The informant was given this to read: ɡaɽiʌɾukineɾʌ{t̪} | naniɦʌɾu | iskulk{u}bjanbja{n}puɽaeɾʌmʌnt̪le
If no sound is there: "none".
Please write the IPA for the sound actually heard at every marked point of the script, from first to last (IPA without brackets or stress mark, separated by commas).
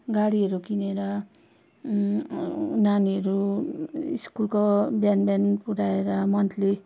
none, o, n